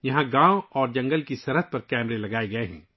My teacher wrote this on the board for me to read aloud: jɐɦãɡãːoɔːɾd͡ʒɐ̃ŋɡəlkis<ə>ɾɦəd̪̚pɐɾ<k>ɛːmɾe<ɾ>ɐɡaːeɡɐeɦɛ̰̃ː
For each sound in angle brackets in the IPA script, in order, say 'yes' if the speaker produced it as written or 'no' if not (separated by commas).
no, yes, no